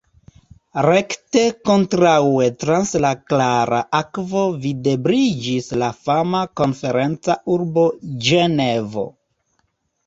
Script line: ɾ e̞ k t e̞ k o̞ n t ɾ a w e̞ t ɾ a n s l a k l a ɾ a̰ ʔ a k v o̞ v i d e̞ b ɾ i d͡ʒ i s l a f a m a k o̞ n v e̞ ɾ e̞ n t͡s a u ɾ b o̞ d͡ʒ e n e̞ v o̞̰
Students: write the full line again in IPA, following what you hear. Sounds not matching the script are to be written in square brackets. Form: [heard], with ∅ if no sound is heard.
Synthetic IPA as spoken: ɾ e̞ k t e̞ k o̞ n t ɾ a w e̞ t ɾ a n s l a k l a ɾ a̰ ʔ a k v o̞ v i d e̞ b ɾ i d͡ʒ i s l a f a m a k o̞ n [f] e̞ ɾ e̞ n t͡s a u ɾ b o̞ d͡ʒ e n e̞ v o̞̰